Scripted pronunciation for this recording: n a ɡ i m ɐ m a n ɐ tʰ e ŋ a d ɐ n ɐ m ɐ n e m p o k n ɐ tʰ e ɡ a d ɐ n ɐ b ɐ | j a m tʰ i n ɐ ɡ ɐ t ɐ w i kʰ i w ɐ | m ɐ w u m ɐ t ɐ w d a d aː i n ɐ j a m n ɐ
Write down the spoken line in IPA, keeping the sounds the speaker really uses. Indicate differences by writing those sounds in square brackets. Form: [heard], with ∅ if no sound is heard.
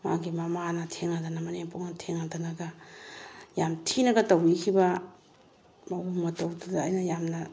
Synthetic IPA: [m] a ɡ i m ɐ m a n ɐ tʰ e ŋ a d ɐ n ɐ m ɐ n e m p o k n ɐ tʰ e [ŋ] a d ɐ n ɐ [ɡ] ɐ | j a m tʰ i n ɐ ɡ ɐ t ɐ w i kʰ i [b] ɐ | m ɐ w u m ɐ t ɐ w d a d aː [j] n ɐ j a m n ɐ